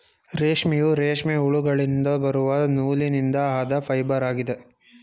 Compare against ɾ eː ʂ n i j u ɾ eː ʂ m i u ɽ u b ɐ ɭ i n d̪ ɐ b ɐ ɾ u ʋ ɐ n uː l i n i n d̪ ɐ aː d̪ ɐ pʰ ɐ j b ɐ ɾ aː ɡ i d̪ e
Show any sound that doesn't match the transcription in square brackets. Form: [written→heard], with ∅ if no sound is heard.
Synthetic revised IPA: ɾ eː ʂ [n→m] i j u ɾ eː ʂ m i u [ɽ→ɭ] u [b→ɡ] ɐ ɭ i n d̪ ɐ b ɐ ɾ u ʋ ɐ n uː l i n i n d̪ ɐ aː d̪ ɐ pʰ ɐ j b ɐ ɾ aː ɡ i d̪ e